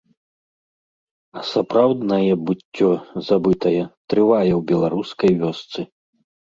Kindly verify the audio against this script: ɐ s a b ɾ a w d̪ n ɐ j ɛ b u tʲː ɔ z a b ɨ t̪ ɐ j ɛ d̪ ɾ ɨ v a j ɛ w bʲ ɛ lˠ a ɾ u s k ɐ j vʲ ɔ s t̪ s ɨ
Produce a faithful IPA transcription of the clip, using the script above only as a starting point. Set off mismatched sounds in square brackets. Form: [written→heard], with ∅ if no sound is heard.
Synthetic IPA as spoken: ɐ s a [b→p] ɾ a w d̪ n ɐ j ɛ b u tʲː ɔ z a b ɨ t̪ ɐ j ɛ [d̪→t̪] ɾ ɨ v a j ɛ w bʲ ɛ lˠ a ɾ u s k ɐ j vʲ ɔ s t̪ s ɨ